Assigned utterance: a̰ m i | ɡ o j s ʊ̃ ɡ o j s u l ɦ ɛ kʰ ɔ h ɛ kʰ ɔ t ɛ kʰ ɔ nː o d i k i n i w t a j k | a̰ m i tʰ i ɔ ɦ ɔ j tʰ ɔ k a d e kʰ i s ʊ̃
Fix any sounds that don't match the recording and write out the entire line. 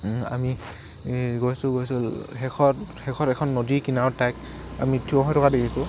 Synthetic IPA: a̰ m i | ɡ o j s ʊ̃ ɡ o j s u l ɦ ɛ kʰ ɔ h ɛ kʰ ɔ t ɛ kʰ ɔ nː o d i k i n a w t a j k | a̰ m i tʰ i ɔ ɦ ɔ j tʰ ɔ k a d e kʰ i s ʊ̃